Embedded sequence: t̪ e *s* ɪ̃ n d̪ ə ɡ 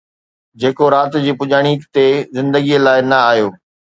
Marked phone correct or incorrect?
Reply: incorrect